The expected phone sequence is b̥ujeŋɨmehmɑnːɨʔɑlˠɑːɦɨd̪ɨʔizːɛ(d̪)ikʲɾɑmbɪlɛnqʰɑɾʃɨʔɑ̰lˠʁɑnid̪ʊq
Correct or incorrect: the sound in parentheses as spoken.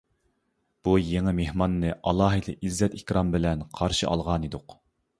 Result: incorrect: t̪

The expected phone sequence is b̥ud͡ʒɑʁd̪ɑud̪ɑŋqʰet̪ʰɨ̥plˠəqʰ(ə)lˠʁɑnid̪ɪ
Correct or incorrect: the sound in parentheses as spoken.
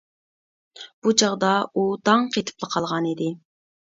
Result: incorrect: ɑ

